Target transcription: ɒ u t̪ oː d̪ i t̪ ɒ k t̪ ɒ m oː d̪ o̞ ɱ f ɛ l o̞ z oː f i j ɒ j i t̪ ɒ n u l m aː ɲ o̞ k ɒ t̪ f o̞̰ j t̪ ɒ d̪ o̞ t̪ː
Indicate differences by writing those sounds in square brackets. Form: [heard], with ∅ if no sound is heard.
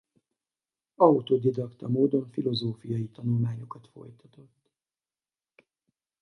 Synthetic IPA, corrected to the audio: ɒ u t̪ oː d̪ i [d̪] ɒ k t̪ ɒ m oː d̪ o̞ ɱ f [i] l o̞ z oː f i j ɒ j i t̪ ɒ n u l m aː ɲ o̞ k ɒ t̪ f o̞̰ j t̪ ɒ [t̪] o̞ t̪ː